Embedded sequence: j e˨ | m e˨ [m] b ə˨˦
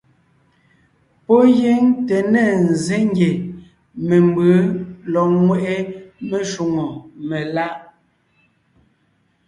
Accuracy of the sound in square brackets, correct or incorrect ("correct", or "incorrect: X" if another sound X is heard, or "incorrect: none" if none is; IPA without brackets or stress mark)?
correct